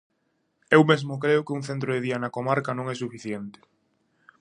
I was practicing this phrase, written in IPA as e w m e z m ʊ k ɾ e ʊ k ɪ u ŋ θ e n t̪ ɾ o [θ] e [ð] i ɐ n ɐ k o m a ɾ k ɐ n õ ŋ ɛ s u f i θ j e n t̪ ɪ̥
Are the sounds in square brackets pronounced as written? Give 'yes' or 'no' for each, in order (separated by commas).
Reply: no, yes